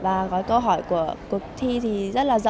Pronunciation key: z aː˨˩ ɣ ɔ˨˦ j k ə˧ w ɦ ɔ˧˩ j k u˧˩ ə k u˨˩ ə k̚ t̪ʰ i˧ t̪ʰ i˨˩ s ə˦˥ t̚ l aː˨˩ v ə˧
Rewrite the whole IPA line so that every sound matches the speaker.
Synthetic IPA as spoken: v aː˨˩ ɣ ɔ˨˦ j k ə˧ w ɦ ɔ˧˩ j k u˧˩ ə k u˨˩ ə k̚ t̪ʰ i˧ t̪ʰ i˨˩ z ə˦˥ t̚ l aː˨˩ z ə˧